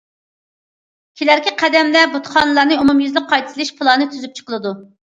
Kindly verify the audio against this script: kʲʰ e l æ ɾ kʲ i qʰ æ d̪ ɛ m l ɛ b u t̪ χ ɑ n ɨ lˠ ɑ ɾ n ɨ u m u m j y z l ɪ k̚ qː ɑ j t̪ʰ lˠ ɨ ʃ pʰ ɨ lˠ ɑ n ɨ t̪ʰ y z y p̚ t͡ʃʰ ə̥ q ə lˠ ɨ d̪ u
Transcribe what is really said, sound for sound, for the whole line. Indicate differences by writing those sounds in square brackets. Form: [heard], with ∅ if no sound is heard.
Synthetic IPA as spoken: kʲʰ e l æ ɾ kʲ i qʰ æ d̪ ɛ m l ɛ b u t̪ χ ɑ n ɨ lˠ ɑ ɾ n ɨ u m u m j y z l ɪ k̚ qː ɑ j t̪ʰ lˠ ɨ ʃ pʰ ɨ lˠ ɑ n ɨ t̪ʰ y z y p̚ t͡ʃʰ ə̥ q ə lˠ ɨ d̪ u

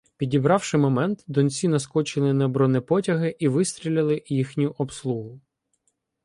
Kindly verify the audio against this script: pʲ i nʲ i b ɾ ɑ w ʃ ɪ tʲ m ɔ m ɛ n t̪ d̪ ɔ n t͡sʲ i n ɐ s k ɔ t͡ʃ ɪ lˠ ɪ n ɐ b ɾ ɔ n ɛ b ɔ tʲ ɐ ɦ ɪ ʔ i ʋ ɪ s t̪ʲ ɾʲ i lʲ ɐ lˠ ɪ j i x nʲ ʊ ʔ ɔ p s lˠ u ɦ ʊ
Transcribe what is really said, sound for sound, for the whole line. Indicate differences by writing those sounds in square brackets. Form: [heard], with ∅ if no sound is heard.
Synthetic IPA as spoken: pʲ i [dʲ] i b ɾ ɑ w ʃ ɪ [∅] m ɔ m ɛ n t̪ d̪ ɔ n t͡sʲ i n ɐ s k ɔ t͡ʃ ɪ lˠ ɪ n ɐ b ɾ ɔ n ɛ [p] ɔ tʲ ɐ ɦ ɪ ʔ i ʋ ɪ s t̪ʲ ɾʲ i lʲ ɐ lˠ ɪ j i x nʲ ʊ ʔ ɔ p s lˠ u ɦ ʊ

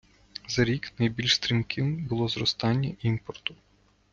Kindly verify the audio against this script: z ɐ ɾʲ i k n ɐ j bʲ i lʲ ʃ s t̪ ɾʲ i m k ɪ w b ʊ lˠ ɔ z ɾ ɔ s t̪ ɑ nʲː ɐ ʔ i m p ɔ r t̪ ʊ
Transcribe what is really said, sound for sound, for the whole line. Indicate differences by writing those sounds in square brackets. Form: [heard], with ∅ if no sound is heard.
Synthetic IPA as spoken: z ɐ ɾʲ i k n ɐ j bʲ i lʲ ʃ s t̪ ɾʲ i m k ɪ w b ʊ lˠ ɔ z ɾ ɔ s t̪ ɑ nʲː ɐ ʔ i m p ɔ r t̪ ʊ

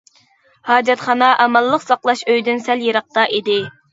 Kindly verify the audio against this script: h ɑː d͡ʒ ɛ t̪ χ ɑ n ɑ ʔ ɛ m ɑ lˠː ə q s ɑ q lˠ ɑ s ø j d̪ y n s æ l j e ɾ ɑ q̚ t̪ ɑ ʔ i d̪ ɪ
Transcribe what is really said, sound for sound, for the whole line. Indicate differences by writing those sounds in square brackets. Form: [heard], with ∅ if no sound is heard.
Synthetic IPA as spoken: h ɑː d͡ʒ ɛ t̪ χ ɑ n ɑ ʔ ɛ m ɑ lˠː ə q s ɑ q lˠ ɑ [ʃ] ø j d̪ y n s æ l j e ɾ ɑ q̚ t̪ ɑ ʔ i d̪ ɪ

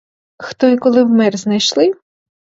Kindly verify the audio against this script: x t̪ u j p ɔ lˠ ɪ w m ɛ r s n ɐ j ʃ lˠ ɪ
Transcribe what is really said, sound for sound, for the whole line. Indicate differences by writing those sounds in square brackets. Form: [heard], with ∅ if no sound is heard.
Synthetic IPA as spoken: x t̪ [ɔ] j [k] ɔ lˠ ɪ w m ɛ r [z] n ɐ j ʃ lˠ ɪ

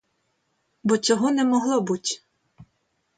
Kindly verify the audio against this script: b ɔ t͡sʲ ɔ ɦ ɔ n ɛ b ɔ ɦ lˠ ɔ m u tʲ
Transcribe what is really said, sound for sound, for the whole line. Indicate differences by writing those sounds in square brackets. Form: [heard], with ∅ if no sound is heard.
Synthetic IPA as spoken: b ɔ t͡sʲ ɔ ɦ ɔ n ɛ [m] ɔ ɦ lˠ ɔ [b] u tʲ

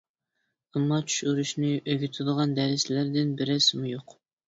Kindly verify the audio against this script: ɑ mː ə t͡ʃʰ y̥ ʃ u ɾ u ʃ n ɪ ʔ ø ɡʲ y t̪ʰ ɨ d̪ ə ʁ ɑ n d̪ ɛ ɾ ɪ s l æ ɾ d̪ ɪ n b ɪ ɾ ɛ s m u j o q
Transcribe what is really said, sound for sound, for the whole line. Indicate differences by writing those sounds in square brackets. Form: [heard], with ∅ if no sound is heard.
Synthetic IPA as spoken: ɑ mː [ɑ] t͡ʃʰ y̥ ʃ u ɾ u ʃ n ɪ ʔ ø ɡʲ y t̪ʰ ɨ d̪ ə ʁ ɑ n d̪ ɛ ɾ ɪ s l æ ɾ d̪ ɪ n b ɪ ɾ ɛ s m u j o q

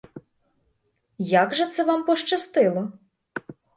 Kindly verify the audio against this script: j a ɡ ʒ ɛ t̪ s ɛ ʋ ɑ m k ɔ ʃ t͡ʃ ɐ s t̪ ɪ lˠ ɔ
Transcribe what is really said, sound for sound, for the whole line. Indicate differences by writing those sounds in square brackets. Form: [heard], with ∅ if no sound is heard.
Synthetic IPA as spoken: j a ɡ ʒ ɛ t̪ s ɛ ʋ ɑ m [p] ɔ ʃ t͡ʃ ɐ s t̪ ɪ lˠ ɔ

